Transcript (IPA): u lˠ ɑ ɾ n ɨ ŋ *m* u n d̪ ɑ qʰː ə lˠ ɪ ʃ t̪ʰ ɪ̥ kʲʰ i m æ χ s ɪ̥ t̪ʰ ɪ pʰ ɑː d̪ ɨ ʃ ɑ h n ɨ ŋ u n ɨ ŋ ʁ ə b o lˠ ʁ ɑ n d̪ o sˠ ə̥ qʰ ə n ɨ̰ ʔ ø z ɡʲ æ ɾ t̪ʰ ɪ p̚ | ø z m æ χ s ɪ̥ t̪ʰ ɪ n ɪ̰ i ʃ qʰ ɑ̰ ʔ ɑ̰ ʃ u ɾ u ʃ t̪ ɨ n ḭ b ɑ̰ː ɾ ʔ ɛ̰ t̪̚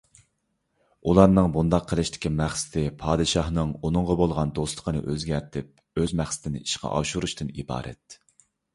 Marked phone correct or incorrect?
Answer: incorrect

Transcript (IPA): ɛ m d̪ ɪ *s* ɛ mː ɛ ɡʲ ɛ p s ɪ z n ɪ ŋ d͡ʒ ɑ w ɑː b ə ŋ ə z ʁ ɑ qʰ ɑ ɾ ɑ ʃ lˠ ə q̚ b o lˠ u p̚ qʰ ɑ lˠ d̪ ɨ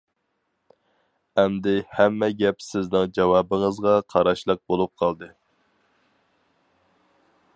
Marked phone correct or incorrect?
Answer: incorrect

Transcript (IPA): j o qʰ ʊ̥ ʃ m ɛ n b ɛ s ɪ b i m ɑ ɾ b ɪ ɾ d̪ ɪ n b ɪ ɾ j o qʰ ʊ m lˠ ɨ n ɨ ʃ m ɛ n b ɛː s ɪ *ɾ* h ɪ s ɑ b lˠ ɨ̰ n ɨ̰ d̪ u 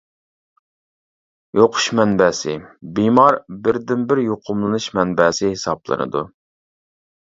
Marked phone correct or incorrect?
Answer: incorrect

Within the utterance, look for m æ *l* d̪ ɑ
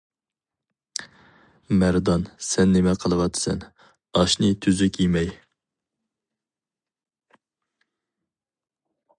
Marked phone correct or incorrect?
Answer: incorrect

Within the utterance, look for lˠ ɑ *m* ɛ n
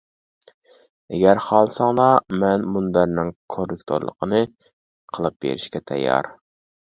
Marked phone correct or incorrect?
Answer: correct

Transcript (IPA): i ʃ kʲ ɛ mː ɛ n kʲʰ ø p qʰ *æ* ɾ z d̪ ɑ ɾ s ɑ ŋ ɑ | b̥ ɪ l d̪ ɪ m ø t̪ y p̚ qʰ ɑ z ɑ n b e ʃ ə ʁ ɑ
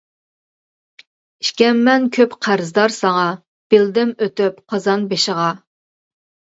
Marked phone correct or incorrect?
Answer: correct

